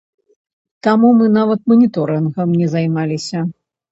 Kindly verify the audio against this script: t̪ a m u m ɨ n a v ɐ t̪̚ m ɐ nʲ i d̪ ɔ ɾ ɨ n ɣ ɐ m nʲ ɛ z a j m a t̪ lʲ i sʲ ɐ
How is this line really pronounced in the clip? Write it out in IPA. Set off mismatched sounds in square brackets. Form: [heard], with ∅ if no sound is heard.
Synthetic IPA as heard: t̪ a m u m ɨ n a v ɐ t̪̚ m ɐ nʲ i [t̪] ɔ ɾ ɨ n ɣ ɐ m nʲ ɛ z a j m a [∅] lʲ i sʲ ɐ